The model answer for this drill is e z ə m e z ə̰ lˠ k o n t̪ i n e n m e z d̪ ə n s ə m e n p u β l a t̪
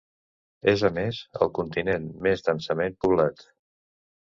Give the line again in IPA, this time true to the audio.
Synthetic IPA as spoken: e z ə m e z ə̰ lˠ k u n t̪ i n e n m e z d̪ ə n s ə m e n p u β l a t̪